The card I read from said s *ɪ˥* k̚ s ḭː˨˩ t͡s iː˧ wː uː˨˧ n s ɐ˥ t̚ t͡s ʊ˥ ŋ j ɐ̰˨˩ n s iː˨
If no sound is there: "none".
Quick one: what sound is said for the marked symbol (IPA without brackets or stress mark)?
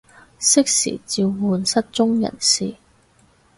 ɪ˥